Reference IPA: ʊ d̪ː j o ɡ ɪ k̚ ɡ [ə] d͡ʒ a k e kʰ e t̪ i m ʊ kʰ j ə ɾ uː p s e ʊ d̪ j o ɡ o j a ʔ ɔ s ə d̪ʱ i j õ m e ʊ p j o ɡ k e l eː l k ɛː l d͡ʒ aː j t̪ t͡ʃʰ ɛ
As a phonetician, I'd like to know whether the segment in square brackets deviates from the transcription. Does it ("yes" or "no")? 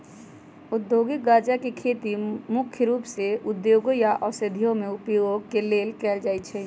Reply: yes